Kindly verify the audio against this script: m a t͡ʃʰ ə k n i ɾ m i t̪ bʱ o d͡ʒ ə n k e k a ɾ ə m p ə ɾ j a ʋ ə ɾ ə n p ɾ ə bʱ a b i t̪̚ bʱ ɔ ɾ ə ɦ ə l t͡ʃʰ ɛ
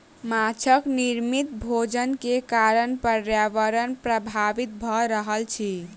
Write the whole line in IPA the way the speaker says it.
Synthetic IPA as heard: m a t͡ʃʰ ə k n i ɾ m i t̪ bʱ o d͡ʒ ə n k e k a ɾ ə n p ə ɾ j a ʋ ə ɾ ə n p ɾ ə bʱ a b i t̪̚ bʱ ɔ ɾ ə ɦ ə l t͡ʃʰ i